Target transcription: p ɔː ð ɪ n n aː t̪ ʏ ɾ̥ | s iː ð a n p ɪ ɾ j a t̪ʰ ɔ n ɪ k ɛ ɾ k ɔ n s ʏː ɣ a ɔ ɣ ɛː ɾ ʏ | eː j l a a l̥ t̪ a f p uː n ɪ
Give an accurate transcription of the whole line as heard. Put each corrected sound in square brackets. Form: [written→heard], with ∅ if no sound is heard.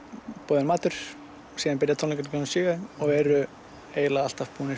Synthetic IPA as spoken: p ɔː ð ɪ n [n→m] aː t̪ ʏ ɾ̥ | s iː ð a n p ɪ ɾ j a t̪ʰ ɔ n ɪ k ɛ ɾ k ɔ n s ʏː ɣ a ɔ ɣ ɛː ɾ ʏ | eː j l a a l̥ t̪ a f p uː n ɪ